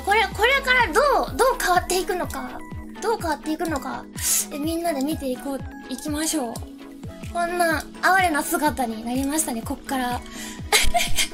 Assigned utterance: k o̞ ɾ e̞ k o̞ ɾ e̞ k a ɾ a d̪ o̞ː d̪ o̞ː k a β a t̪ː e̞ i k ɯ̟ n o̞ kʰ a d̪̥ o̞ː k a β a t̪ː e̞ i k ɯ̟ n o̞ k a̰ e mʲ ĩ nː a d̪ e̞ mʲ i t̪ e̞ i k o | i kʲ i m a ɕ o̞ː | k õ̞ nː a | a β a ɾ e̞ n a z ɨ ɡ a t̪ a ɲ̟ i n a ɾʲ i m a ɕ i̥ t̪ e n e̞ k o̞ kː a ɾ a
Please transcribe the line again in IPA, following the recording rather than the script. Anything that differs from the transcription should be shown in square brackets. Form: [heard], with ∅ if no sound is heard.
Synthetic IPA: k o̞ ɾ e̞ k o̞ ɾ e̞ k a ɾ a d̪ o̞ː d̪ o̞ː k a β a t̪ː e̞ i k ɯ̟ n o̞ [k] a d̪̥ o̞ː k a β a t̪ː e̞ i k ɯ̟ n o̞ k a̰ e mʲ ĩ nː a d̪ e̞ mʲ i t̪ e̞ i k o | i kʲ i m a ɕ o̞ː | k õ̞ nː a | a β a ɾ e̞ n a [s] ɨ ɡ a t̪ a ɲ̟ i n a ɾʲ i m a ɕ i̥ t̪ [a] n e̞ k o̞ kː a ɾ a